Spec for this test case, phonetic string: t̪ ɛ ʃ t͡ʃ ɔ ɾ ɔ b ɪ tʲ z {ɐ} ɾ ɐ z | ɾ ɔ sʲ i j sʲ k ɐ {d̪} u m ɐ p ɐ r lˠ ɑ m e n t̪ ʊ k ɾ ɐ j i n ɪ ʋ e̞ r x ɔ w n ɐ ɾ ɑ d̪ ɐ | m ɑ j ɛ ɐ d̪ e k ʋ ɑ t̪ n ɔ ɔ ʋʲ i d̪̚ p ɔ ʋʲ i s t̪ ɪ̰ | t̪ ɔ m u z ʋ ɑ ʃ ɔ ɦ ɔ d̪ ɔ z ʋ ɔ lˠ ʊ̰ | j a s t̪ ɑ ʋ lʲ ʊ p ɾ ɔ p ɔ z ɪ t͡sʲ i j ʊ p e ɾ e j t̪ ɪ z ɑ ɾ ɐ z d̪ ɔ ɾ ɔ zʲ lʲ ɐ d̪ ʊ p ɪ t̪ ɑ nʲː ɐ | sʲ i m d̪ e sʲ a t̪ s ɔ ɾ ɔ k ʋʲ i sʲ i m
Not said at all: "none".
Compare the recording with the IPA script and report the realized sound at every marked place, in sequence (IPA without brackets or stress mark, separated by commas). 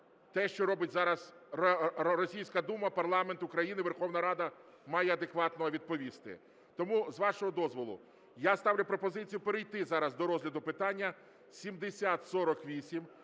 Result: ɑ, d̪